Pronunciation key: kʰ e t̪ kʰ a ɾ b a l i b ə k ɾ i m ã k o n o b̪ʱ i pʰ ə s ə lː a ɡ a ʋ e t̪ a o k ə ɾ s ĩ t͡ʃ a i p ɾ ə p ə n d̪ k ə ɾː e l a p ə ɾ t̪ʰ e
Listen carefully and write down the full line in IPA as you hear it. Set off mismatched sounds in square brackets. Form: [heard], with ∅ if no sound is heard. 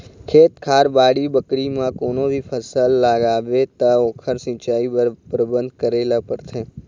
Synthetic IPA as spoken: kʰ e t̪ kʰ a ɾ b a [ɽ] i b ə k ɾ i m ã k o n o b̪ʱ i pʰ ə s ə lː a ɡ a ʋ e t̪ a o [kʰ] ə ɾ s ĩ t͡ʃ a i p ɾ ə [b] ə n d̪ k ə [ɾ] e l a p ə ɾ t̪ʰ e